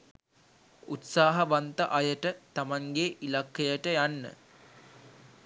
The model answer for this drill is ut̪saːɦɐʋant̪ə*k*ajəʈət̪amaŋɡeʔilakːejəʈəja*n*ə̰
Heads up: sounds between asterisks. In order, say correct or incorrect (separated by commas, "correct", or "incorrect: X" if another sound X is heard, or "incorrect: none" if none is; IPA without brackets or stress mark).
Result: incorrect: ʔ, incorrect: nː